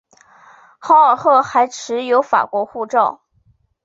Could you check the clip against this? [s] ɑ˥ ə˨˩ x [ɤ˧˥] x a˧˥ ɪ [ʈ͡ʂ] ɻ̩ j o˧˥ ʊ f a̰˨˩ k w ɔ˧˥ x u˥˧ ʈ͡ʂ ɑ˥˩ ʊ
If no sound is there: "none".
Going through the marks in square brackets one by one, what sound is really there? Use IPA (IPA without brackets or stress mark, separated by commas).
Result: x, ɤ˥˩, ʈ͡ʂʰ